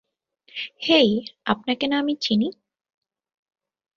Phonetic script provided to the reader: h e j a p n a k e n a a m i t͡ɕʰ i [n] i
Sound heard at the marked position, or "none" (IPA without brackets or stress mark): n